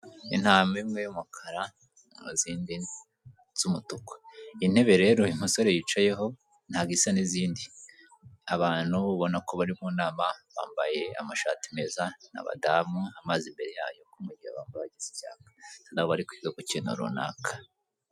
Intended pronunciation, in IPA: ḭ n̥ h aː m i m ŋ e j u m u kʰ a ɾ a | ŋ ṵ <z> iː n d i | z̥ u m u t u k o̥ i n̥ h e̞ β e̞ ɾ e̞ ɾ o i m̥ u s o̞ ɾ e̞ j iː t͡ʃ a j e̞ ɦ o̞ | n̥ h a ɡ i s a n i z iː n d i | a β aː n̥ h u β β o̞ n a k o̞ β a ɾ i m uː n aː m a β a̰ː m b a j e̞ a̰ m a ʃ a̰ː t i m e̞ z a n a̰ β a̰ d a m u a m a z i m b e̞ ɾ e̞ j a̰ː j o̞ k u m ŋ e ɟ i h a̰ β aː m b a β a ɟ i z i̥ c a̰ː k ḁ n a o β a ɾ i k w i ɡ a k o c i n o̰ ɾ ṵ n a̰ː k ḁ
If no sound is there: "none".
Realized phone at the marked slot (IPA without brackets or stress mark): z